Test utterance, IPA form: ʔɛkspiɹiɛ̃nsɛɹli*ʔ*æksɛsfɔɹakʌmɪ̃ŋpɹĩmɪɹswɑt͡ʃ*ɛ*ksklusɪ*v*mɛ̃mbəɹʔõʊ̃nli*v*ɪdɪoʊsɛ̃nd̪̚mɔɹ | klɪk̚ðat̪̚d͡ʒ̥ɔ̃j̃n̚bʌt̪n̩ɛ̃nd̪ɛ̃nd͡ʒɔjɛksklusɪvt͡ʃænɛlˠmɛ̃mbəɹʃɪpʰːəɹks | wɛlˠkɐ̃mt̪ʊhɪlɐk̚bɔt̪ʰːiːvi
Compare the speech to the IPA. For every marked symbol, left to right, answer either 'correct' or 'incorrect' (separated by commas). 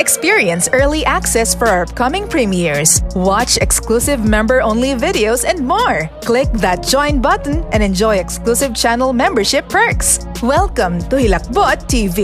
correct, correct, correct, correct